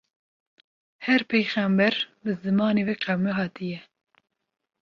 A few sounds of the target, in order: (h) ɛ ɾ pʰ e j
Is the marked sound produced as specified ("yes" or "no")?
yes